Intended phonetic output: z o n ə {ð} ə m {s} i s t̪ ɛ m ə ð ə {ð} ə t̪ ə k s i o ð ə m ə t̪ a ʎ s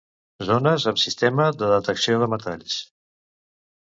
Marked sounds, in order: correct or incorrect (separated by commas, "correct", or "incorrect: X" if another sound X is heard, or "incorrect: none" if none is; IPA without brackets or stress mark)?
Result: incorrect: z, correct, correct